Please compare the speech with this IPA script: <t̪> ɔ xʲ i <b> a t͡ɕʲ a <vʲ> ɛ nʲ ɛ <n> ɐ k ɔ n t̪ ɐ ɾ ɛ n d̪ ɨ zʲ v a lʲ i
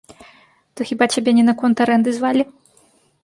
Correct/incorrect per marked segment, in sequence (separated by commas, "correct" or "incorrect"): correct, correct, incorrect, correct